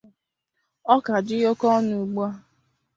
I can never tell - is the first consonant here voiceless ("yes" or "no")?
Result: yes